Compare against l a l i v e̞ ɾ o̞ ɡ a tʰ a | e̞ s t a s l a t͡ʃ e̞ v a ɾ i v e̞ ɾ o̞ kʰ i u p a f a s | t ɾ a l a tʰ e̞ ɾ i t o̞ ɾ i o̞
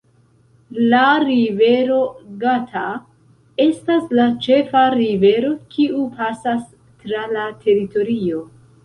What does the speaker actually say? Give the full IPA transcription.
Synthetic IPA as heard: l a ɾ i v e̞ ɾ o̞ ɡ a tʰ a | e̞ s t a s l a t͡ʃ e̞ f a ɾ i v e̞ ɾ o̞ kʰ i u p a s a s | t ɾ a l a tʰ e̞ ɾ i t o̞ ɾ i o̞

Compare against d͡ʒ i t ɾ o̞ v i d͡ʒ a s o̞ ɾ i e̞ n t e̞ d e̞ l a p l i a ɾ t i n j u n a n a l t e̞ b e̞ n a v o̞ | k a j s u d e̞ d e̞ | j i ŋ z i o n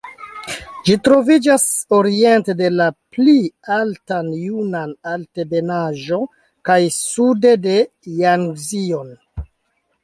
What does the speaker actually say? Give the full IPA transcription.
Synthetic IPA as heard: d͡ʒ i t ɾ o̞ v i d͡ʒ a s o̞ ɾ i e̞ n t e̞ d e̞ l a p l i a l t a n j u n a n a l t e̞ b e̞ n a ʒ o̞ | k a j s u d e̞ d e̞ | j a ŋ z i o n

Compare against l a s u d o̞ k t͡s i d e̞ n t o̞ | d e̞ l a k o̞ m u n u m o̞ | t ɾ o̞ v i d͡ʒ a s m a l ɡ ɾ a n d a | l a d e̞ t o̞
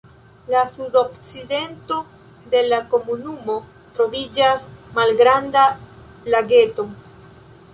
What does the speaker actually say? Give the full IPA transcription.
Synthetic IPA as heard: l a s u d o̞ k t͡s i d e̞ n t o̞ | d e̞ l a k o̞ m u n u m o̞ | t ɾ o̞ v i d͡ʒ a s m a l ɡ ɾ a n d a | l a ɡ e̞ t o̞

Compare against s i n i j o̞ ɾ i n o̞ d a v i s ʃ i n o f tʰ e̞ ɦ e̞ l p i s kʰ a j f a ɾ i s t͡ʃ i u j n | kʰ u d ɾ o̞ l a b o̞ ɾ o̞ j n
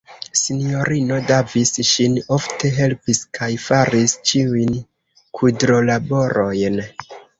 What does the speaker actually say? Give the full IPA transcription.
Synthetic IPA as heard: s i n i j o̞ ɾ i n o̞ d a v i s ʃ i n o f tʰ e̞ ɦ e̞ l p i s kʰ a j f a ɾ i s t͡ʃ i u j n | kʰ u d ɾ o̞ l a b o̞ ɾ o̞ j n

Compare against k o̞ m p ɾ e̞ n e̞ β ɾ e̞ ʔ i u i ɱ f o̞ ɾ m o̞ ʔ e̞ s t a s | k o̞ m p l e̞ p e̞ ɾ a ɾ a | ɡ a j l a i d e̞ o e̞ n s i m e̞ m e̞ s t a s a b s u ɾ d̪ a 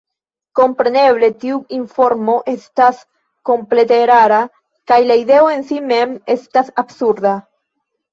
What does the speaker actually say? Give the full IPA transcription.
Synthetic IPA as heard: k o̞ m p ɾ e̞ n e̞ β l e̞ t i u i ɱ f o̞ ɾ m o̞ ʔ e̞ s t a s | k o̞ m p l e̞ t e̞ ɾ a ɾ a | k a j l a i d e̞ o e̞ n s i m e̞ m e̞ s t a s a b s u ɾ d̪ a

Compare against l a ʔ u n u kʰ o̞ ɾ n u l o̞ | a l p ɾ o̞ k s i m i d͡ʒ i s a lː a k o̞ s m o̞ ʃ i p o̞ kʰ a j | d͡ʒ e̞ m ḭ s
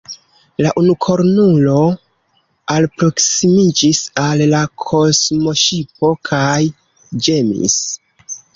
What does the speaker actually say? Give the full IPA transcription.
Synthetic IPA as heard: l a ʔ u n u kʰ o̞ ɾ n u l o̞ | a l p ɾ o̞ k s i m i d͡ʒ i s a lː a kʰ o̞ s m o̞ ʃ i p o̞ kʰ a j | d͡ʒ e̞ m ḭ s

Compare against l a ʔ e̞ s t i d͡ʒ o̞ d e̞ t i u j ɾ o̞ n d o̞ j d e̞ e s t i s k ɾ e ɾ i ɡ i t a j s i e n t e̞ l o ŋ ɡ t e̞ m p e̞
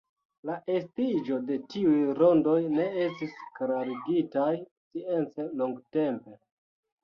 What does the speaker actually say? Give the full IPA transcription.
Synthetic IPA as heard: l a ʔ e̞ s t i d͡ʒ o̞ d e̞ t i u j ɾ o̞ n d o̞ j n e̞ e s t i s k ɾ a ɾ i ɡ i t a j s i e n t͡s e̞ l o ŋ ɡ t e̞ m p e̞

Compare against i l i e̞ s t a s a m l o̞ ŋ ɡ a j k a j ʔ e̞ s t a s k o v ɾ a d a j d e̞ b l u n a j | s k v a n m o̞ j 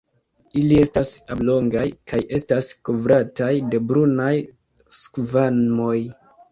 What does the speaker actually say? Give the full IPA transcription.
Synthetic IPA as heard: i l i e̞ s t a s a b l o̞ ŋ ɡ a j k a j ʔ e̞ s t a s k o v ɾ a t a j d e̞ b ɾ u n a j | s k v a n m o̞ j

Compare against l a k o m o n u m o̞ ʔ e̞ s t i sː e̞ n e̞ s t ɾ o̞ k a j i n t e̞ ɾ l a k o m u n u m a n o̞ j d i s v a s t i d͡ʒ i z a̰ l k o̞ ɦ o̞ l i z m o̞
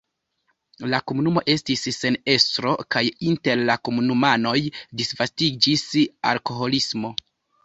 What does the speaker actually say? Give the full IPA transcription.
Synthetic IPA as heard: l a k o m u n u m o̞ ʔ e̞ s t i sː e̞ n e̞ s t ɾ o̞ k a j i n t e̞ ɾ l a k o m u n u m a n o̞ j d i s v a s t i d͡ʒ i s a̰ l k o̞ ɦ o̞ l i s m o̞

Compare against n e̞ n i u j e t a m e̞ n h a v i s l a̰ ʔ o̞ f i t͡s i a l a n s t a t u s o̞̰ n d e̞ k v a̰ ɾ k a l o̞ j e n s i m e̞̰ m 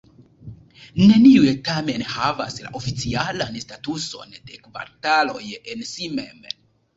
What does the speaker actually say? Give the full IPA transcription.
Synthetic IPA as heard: n e̞ n i u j e t a m e̞ n h a v a s l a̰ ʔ o̞ f i t͡s i a l a n s t a t u s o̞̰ n d e̞ k v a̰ ɾ t a l o̞ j e n s i m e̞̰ m

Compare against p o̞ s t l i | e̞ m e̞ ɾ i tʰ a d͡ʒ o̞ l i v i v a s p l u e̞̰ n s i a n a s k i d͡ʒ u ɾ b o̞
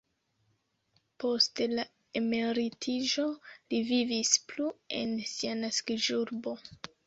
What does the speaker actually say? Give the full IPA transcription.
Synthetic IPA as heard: p o̞ s t l a | e̞ m e̞ ɾ i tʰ i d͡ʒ o̞ l i v i v i s p l u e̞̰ n s i a n a s k i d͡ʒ u ɾ b o̞

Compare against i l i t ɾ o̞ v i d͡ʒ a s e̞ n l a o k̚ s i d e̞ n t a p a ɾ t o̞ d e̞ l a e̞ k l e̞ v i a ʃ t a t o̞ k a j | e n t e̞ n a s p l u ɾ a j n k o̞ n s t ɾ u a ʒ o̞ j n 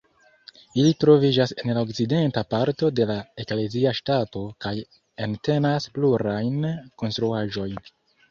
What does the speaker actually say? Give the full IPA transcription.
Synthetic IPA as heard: i l i t ɾ o̞ v i d͡ʒ a s e̞ n l a o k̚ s i d e̞ n t a p a ɾ t o̞ d e̞ l a e̞ k l e̞ z i a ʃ t a t o̞ k a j | e n t e̞ n a s p l u ɾ a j n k o̞ n s t ɾ u a ʒ o̞ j n

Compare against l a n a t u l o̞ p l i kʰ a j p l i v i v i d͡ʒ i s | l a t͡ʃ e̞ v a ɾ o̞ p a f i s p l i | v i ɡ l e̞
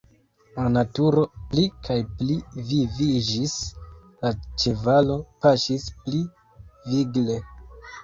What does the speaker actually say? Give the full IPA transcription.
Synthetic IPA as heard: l a n a t u ɾ o̞ p l i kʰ a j p l i v i v i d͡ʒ i s | l a t͡ʃ e̞ v a l o̞ p a ʃ i s p l i | v i ɡ l e̞

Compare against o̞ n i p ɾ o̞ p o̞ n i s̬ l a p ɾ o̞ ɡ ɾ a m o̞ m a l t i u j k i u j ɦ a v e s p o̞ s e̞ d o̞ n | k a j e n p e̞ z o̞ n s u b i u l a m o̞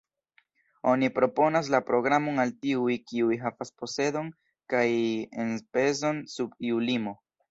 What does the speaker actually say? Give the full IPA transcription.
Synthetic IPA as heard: o̞ n i p ɾ o̞ p o̞ n a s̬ l a p ɾ o̞ ɡ ɾ a m o̞ n a l t i u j k i u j ɦ a v a s p o̞ s e̞ d o̞ n | k a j e n p e̞ z o̞ n s u b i u l i m o̞

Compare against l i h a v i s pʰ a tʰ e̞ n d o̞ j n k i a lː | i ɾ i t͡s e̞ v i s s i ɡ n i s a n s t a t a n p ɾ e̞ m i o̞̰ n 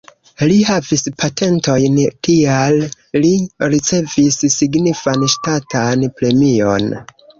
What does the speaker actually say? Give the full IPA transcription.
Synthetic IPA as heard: l i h a v i s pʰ a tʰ e̞ n t o̞ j n k i a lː | i ɾ i t͡s e̞ v i s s i ɡ n i f a n ʃ t a t a n p ɾ e̞ m i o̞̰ n

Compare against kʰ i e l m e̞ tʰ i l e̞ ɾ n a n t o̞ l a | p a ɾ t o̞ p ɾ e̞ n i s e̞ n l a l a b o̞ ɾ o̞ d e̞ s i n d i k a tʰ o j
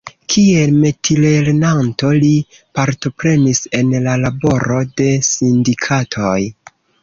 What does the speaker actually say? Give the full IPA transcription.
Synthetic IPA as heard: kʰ i e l m e̞ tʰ i l e̞ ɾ n a n t o̞ l i | p a ɾ t o̞ p ɾ e̞ n i s e̞ n l a l a b o̞ ɾ o̞ d e̞ s i n d i kʰ a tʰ o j

